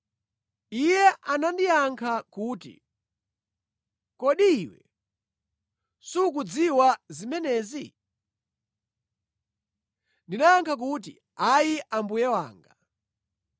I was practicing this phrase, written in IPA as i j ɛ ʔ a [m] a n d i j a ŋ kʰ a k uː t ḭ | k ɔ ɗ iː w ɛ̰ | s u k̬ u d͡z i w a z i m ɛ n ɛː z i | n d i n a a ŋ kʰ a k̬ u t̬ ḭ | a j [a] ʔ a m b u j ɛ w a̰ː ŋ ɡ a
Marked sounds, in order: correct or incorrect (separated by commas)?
incorrect, incorrect